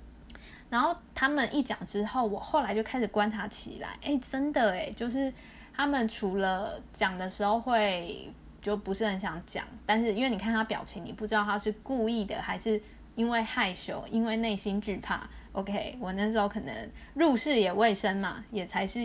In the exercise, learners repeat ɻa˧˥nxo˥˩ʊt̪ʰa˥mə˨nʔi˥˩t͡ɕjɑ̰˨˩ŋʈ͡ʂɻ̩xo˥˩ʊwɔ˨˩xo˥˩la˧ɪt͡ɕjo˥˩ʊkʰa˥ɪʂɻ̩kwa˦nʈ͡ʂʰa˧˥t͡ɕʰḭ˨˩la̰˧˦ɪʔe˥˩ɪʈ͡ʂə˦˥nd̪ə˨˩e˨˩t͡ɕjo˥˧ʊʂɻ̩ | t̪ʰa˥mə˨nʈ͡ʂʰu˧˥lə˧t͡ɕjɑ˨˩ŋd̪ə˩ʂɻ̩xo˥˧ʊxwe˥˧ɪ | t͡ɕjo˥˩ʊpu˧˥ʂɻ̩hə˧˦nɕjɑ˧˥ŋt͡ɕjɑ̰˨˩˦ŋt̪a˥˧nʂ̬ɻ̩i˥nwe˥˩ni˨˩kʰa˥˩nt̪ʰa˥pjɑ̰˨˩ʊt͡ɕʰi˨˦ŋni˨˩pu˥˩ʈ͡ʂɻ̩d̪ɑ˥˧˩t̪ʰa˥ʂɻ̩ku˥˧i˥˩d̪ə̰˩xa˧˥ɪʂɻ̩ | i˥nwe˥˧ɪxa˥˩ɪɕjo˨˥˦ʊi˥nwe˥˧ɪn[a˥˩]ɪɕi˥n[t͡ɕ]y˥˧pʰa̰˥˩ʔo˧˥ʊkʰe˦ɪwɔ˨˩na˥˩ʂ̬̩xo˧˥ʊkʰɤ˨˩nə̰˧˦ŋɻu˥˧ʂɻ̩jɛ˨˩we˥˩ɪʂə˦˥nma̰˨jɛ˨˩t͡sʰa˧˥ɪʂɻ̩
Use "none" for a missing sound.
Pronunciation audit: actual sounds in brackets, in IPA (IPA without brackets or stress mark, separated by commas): e˥˩, t͡ɕ